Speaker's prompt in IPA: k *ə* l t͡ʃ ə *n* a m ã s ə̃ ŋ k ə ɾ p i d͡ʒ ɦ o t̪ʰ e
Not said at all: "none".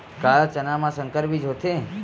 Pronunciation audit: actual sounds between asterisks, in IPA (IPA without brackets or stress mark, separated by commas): a, n